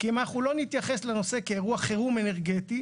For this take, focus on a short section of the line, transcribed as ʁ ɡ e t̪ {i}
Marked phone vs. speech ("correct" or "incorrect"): correct